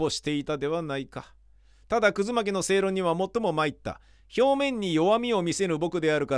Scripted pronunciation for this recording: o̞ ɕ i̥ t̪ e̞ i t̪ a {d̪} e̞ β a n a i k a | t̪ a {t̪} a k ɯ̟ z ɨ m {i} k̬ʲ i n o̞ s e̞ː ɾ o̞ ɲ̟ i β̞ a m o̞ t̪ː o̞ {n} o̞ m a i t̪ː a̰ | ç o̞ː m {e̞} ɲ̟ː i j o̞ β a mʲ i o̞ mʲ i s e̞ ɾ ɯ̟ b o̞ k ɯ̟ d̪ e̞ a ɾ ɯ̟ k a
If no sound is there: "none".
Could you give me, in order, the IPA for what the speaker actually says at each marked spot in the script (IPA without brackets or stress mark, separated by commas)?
d̪, d̪, a, m, ẽ̞